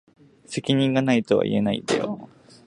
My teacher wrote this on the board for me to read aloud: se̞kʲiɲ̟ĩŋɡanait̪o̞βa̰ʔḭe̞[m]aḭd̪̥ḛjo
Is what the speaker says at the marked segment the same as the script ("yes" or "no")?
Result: no